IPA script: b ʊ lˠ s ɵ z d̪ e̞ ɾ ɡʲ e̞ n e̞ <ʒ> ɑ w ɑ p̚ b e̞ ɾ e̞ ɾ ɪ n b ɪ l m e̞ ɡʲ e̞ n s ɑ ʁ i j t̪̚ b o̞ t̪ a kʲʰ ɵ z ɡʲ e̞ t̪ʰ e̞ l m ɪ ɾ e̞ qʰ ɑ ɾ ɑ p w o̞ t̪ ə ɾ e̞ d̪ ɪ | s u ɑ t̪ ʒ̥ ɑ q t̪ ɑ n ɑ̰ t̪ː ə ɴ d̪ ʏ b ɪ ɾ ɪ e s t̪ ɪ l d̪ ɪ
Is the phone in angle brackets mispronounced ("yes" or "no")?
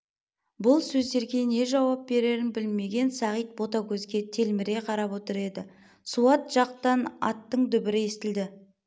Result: no